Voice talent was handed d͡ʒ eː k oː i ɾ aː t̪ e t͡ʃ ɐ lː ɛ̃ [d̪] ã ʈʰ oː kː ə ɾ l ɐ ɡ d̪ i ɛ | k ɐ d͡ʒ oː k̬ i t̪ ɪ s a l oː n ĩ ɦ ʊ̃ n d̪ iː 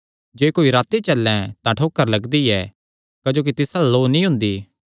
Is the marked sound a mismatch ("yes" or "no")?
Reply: yes